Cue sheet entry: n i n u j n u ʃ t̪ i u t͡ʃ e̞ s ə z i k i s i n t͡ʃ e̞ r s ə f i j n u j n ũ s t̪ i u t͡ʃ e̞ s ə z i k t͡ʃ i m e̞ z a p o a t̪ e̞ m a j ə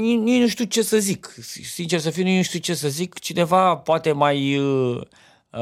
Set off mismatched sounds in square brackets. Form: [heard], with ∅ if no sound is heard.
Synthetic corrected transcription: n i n u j n u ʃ t̪ i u t͡ʃ e̞ s ə z i k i s i n t͡ʃ e̞ r s ə f i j n u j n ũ [ʃ] t̪ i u t͡ʃ e̞ s ə z i k t͡ʃ i [n] e̞ [v] a p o a t̪ e̞ m a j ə